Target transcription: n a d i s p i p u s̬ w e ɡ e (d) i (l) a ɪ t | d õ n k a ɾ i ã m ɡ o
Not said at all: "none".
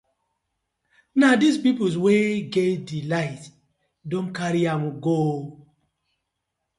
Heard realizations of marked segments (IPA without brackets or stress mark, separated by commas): d, l